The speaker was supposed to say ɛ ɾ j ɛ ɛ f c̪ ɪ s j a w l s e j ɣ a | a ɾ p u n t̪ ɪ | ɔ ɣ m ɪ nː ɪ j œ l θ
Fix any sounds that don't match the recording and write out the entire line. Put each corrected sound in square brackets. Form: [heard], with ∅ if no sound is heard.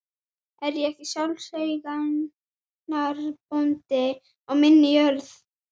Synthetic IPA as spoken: ɛ ɾ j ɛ ɛ [h] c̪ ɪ s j a w l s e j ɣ a | a ɾ p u n t̪ ɪ | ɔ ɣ m ɪ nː ɪ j œ [ɾ] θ